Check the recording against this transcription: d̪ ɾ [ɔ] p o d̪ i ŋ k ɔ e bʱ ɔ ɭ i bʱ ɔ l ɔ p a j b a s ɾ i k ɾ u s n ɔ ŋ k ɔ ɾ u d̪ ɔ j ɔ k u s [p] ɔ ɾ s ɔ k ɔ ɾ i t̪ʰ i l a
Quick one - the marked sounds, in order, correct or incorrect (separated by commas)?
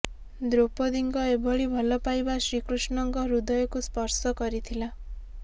incorrect, correct